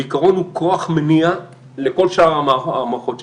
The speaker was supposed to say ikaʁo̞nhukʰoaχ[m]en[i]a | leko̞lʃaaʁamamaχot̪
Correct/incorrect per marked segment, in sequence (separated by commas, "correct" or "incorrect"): correct, correct